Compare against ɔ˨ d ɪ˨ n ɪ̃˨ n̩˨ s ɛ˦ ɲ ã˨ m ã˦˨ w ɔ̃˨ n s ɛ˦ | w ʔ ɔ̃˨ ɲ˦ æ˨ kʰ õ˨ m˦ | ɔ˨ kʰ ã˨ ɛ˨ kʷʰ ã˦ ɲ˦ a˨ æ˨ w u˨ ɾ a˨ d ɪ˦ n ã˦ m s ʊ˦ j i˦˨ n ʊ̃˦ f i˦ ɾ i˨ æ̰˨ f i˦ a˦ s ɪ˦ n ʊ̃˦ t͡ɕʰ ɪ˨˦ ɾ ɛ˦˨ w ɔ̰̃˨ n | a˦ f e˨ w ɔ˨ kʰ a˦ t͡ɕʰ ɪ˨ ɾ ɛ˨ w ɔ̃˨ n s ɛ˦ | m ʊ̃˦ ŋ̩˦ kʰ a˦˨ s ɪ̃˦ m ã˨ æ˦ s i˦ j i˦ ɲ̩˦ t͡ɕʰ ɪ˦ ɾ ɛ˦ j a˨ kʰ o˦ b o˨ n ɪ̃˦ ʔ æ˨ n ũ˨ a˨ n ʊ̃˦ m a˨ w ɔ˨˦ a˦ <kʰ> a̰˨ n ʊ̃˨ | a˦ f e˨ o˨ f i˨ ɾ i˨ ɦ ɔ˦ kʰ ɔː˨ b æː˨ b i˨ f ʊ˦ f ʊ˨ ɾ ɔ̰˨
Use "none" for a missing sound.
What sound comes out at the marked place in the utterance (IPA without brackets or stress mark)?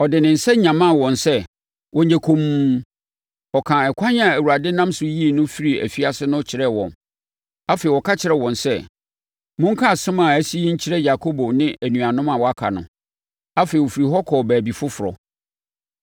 kʰ